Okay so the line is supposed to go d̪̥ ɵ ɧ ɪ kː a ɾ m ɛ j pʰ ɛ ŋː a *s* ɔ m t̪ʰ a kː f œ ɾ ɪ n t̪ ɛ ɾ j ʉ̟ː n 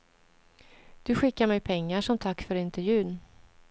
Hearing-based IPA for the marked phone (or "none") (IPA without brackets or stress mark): ʂ